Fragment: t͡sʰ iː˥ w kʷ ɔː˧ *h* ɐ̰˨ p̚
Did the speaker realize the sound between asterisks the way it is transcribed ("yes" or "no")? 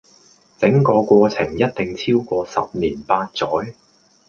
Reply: no